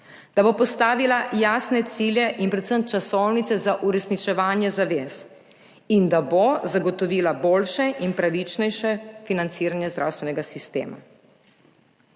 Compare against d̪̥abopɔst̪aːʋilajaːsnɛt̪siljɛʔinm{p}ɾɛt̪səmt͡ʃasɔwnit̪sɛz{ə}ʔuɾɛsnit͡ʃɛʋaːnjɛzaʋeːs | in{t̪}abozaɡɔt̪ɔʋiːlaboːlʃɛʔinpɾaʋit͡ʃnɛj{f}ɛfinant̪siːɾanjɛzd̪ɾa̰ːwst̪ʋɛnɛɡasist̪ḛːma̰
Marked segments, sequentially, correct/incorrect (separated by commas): correct, incorrect, incorrect, incorrect